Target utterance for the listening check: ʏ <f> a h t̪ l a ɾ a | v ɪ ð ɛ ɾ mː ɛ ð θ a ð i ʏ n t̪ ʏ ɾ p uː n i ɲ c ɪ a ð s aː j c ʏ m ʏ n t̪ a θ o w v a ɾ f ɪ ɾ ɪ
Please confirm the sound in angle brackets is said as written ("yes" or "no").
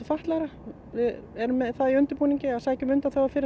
yes